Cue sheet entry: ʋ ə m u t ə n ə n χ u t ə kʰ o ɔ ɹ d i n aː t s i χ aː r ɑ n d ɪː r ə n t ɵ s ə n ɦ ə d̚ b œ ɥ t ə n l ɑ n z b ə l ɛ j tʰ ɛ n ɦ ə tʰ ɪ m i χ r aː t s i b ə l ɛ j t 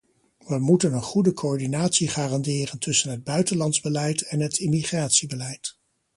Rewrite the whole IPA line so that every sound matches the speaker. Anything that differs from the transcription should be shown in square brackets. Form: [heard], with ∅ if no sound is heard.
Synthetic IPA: ʋ ə m u t ə n ə n χ u [d] ə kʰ o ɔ ɹ d i n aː t s i χ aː r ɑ n d ɪː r ə n t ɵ s ə n ɦ ə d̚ b œ ɥ t ə n l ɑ n z b ə l ɛ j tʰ ɛ n ɦ ə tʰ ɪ m i χ r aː t s i b ə l ɛ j t